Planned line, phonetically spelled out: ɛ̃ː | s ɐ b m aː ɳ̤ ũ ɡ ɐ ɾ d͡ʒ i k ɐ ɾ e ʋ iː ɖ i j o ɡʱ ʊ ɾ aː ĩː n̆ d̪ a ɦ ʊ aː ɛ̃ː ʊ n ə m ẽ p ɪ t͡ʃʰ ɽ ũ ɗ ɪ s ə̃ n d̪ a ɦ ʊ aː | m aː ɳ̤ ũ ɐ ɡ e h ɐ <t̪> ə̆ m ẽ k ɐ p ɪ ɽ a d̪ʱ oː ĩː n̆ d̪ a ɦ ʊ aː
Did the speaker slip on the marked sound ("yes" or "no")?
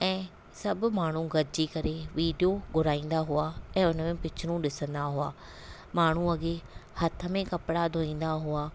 yes